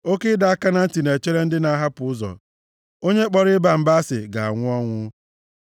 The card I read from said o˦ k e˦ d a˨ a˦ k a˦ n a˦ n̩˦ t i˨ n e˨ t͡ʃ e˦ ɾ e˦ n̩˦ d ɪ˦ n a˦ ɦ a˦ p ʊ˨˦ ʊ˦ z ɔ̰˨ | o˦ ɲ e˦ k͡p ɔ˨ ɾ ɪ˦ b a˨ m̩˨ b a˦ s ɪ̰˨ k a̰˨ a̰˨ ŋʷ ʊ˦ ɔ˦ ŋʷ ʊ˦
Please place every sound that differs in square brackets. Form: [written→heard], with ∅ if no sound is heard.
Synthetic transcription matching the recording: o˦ k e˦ d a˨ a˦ k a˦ n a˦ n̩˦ t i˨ n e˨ t͡ʃ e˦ ɾ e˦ n̩˦ d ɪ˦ n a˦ ɦ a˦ p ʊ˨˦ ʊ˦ z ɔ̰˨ | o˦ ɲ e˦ k͡p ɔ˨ ɾ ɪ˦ b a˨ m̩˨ b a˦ s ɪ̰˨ [k→ɡ] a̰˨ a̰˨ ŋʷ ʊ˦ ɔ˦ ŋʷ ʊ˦